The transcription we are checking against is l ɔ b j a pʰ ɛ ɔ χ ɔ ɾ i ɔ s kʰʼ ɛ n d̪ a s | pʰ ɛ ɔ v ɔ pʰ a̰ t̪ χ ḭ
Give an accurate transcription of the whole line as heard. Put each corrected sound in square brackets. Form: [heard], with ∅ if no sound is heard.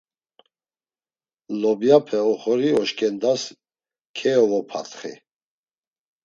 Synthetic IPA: l ɔ b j a pʰ ɛ ɔ χ ɔ ɾ i ɔ [ʃ] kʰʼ ɛ n d̪ a s | [kʰ] ɛ ɔ v ɔ pʰ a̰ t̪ χ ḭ